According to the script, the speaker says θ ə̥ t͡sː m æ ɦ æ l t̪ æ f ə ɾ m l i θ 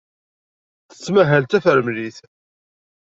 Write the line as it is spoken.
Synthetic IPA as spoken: θ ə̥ t͡sː m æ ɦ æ l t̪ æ f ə ɾ m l i θ

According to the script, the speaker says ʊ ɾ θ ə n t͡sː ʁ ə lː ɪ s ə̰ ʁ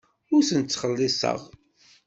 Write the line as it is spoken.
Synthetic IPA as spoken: ʊ ɾ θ ə n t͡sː χ ə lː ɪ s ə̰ ʁ

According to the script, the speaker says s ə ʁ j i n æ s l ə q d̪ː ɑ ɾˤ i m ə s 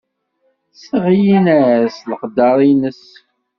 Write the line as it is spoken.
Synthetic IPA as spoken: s ə ʁ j i n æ s l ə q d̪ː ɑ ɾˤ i n ə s

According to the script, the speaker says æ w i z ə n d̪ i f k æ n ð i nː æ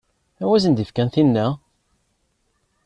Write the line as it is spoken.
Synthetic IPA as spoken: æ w æ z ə n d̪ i f k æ n θ i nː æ

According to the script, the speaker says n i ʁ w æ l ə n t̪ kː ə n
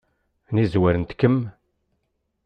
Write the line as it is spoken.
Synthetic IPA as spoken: n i z w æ ɾ ə n t̪ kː ə m

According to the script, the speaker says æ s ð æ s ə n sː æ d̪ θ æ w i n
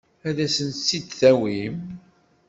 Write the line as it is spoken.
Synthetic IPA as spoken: æ ð æ s ə n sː i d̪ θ æ w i m

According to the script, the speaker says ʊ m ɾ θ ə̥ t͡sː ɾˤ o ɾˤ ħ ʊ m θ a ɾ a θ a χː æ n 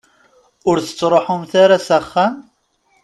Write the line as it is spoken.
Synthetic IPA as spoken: ʊ ɾ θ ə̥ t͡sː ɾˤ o ħ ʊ m θ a ɾ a s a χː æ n

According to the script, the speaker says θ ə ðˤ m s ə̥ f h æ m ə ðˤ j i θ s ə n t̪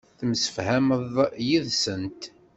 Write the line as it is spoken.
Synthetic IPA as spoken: θ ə m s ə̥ f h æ m ə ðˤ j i ð s ə n t̪

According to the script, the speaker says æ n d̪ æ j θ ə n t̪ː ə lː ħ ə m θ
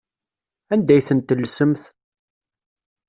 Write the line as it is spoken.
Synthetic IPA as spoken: æ n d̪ æ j θ ə n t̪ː ə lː s ə m θ

